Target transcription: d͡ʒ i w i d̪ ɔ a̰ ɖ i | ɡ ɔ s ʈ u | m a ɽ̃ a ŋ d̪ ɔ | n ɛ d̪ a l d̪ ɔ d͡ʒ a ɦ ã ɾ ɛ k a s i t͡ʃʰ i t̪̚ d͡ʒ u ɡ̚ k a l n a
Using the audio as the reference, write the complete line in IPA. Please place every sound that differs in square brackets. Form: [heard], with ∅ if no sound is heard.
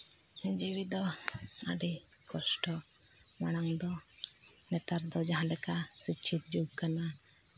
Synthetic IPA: d͡ʒ i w i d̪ ɔ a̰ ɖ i | [k] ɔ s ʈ [ɔ] | m a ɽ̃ a ŋ d̪ ɔ | n ɛ [t̪] a [ɾ] d̪ ɔ d͡ʒ a ɦ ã [l] ɛ k a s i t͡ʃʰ i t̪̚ d͡ʒ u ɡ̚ k a [∅] n a

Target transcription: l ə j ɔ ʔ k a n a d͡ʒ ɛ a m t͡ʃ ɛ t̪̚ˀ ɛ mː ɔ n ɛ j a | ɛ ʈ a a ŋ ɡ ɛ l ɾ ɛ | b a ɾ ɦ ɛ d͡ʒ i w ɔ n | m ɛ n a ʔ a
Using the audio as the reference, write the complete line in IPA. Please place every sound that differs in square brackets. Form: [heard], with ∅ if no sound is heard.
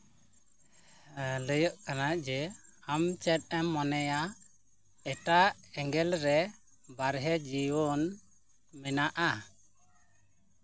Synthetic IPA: l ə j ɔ ʔ k a n a d͡ʒ ɛ a m t͡ʃ ɛ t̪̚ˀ ɛ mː ɔ n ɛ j a | ɛ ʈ a [ɛ] ŋ ɡ ɛ l ɾ ɛ | b a ɾ ɦ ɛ d͡ʒ i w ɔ n | m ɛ n a ʔ a

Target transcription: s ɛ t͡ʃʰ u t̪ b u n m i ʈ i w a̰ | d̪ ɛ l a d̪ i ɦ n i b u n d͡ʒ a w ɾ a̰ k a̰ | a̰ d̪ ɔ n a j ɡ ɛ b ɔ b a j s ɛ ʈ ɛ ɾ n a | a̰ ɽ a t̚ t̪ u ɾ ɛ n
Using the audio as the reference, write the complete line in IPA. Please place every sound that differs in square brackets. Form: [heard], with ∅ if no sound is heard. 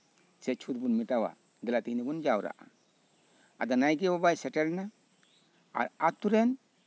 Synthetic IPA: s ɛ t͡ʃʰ u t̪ b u n m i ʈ [a] w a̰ | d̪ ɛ l a [t̪] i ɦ n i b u n d͡ʒ a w ɾ a̰ [ʔ] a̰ | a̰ d̪ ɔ n a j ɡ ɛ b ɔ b a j s ɛ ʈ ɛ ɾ n a | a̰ [ɾ] a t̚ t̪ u ɾ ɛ n

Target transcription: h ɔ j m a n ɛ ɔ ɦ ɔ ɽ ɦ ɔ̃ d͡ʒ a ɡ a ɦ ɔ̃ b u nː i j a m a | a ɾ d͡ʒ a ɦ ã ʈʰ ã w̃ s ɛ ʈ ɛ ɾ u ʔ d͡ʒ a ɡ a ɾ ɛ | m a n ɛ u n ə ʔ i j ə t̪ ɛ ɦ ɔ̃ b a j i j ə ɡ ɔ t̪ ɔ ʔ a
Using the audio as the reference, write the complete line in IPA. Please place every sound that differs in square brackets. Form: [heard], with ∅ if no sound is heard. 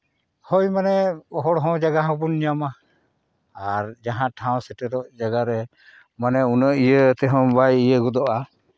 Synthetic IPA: h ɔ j m a n ɛ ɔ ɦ ɔ ɽ ɦ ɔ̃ d͡ʒ a ɡ a ɦ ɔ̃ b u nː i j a m a | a ɾ d͡ʒ a ɦ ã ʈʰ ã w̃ s ɛ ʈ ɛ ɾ [ɔ] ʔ d͡ʒ a ɡ a ɾ ɛ | m a n ɛ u n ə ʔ i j ə t̪ ɛ ɦ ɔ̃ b a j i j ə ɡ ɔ [d̪] ɔ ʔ a

